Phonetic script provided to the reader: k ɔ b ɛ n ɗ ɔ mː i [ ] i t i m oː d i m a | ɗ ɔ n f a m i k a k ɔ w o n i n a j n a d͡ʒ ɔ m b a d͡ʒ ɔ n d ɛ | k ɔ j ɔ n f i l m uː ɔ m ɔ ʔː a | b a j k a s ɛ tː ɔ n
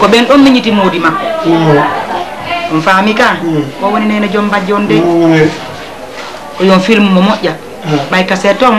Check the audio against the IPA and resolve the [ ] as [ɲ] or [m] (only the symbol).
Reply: ɲ